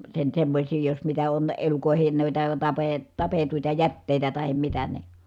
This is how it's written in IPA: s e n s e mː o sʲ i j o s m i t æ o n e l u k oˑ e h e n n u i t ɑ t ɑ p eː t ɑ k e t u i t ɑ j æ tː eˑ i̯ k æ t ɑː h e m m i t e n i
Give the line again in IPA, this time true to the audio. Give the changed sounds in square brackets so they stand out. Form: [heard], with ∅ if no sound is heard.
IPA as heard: s e n s e mː o sʲ [iː] j o s m i t æ o n e l u k oˑ e h e n n u i t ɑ t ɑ p eː t ɑ [p] e t u i t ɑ j æ tː eˑ i̯ [t] æ t [ɑ] h e m m i t [æ] n i